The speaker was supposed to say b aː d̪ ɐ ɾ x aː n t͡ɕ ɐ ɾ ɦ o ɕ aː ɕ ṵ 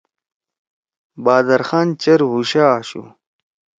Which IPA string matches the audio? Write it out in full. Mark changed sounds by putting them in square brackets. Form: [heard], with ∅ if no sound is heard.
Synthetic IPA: b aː d̪ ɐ ɾ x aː n t͡ɕ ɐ ɾ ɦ [u] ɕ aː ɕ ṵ